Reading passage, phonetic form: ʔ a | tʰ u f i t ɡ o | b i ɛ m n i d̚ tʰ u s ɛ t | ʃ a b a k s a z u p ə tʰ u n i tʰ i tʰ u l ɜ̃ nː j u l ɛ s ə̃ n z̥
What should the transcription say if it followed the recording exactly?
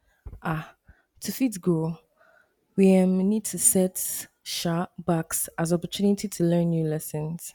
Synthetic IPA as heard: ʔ a | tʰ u f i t ɡ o | w i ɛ m n i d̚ tʰ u s ɛ t | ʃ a b a k s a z ɔ p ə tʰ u n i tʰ i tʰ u l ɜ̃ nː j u l ɛ s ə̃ n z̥